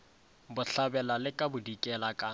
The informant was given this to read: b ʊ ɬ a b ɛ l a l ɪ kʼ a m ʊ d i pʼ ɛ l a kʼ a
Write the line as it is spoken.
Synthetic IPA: b ʊ ɬ a b ɛ l a l ɪ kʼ a b ʊ d i kʼ ɛ l a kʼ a